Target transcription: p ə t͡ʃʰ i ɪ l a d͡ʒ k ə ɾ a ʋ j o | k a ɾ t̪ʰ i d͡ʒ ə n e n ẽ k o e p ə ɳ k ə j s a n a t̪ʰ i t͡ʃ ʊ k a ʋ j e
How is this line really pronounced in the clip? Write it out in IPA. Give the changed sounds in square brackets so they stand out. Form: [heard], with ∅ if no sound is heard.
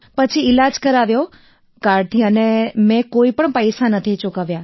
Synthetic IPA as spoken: p ə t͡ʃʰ i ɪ l a d͡ʒ k ə ɾ a ʋ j o | k a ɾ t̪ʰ i [∅] ə n e [m] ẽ k o [i] p ə ɳ [p] ə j s a n [ə] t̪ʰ i t͡ʃ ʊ k a ʋ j [a]